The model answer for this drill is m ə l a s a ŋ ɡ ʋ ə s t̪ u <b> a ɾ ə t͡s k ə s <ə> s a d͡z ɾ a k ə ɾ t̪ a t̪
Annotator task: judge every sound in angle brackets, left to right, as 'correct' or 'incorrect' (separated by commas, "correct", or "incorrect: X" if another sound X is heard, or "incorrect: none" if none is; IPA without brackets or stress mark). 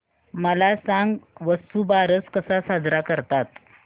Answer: correct, incorrect: a